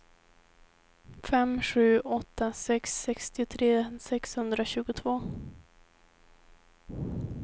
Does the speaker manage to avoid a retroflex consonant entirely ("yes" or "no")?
yes